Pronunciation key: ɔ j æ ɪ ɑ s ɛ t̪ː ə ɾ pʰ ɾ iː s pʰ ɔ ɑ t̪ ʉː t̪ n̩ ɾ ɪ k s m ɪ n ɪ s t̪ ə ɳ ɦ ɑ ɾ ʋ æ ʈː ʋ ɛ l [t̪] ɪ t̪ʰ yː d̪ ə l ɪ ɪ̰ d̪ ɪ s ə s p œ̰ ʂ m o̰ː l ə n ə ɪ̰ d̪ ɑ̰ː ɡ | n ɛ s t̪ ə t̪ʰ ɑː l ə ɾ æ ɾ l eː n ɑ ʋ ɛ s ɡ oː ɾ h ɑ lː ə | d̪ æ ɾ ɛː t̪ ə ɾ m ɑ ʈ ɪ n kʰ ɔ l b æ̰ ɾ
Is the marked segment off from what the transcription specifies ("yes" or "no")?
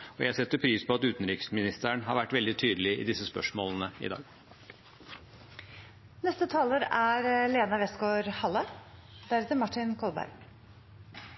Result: yes